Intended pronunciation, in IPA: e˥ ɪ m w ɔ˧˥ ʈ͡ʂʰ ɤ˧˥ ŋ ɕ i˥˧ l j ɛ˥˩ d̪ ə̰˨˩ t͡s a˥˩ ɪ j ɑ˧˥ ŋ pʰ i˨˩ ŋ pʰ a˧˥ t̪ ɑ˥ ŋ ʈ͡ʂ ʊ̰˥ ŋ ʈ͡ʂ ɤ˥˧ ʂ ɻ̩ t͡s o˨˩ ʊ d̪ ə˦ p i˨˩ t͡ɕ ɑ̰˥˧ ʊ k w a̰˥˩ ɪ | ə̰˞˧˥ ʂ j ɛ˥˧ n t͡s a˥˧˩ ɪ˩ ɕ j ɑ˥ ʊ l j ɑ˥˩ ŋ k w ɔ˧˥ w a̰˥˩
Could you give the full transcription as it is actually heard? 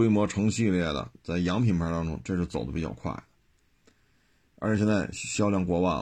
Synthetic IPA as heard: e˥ ɪ m w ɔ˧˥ ʈ͡ʂʰ ɤ˧˥ ŋ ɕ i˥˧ l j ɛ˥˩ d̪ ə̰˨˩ t͡s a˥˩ ɪ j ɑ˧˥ ŋ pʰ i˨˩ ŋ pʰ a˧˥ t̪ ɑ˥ ŋ ʈ͡ʂ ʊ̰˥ ŋ ʈ͡ʂ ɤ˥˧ ʂ ɻ̩ t͡s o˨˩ ʊ d̪ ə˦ p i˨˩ t͡ɕ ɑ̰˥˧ ʊ kʰ w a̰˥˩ ɪ | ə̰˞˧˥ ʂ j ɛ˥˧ n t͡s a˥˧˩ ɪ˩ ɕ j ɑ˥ ʊ l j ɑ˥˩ ŋ k w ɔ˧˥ w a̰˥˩